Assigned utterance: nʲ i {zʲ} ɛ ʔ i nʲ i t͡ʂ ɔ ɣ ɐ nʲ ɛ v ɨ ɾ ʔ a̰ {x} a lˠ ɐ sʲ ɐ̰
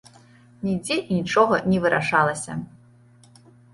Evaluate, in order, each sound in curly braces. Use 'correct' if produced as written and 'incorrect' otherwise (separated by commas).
incorrect, incorrect